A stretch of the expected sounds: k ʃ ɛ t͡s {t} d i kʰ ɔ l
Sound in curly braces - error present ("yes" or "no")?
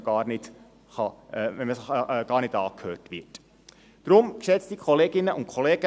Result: no